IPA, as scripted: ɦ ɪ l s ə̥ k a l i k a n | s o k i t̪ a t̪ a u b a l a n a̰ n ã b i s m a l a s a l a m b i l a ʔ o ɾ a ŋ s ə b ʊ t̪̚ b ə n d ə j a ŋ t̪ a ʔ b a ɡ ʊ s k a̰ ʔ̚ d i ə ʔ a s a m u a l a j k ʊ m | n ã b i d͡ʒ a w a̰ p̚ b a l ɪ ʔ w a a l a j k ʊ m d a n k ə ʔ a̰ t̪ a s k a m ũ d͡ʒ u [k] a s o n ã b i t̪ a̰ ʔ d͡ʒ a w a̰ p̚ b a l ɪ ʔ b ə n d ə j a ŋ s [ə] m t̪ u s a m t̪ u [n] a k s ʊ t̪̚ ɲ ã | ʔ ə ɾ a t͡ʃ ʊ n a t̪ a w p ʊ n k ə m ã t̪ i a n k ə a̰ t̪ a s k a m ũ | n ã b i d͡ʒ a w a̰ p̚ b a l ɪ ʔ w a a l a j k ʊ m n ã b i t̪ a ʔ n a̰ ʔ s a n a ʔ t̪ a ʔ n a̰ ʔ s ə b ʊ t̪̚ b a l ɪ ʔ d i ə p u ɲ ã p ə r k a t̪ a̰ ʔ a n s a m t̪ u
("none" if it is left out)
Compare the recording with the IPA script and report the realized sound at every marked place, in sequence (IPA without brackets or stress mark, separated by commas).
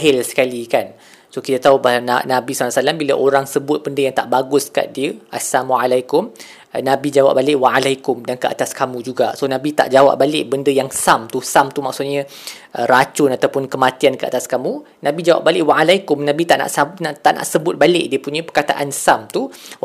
ɡ, a, m